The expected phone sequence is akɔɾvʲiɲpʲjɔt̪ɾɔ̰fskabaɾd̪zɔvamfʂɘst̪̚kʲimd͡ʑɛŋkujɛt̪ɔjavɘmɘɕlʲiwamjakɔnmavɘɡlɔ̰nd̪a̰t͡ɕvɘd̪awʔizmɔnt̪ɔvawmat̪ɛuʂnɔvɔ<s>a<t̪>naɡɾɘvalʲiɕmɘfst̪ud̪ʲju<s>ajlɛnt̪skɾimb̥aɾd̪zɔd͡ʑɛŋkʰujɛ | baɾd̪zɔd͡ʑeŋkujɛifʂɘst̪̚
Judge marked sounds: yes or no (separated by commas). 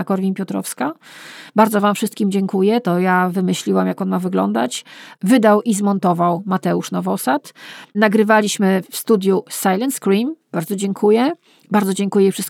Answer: yes, yes, yes